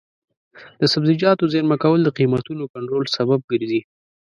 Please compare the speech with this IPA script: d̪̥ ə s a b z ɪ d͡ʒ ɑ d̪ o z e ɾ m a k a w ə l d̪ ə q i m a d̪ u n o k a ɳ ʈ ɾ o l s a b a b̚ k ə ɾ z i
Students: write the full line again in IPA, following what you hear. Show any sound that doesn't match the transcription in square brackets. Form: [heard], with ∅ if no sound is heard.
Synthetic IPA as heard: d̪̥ ə s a b z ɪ d͡ʒ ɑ [t̪] o z e ɾ m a k a w ə l d̪ ə q i m a [t̪] u n o k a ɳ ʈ ɾ o l s a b a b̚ [ɡ] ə ɾ z i